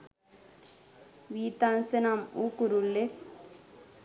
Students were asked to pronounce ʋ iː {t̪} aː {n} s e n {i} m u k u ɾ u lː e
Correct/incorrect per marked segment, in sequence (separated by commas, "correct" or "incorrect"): correct, correct, incorrect